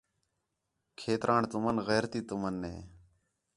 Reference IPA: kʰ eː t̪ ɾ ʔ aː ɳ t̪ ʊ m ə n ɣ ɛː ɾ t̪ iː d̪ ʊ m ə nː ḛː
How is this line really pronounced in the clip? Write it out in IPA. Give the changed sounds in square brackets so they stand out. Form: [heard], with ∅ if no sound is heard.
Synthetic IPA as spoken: kʰ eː t̪ ɾ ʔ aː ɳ t̪ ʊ m ə n ɣ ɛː ɾ t̪ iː [t̪] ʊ m ə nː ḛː